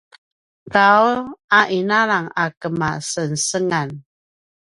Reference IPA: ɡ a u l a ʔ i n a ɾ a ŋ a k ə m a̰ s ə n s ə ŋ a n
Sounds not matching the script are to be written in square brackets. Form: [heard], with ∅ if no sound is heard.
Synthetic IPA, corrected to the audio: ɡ a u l a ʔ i n a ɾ a ŋ a k ə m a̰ s ə n s ə ŋ a n